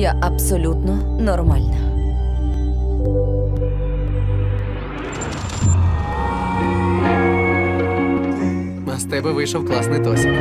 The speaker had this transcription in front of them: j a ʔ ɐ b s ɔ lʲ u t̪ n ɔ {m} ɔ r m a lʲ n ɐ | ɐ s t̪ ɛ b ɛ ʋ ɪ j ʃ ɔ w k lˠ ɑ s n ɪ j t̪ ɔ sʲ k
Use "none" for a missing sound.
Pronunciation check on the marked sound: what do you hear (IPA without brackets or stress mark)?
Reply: n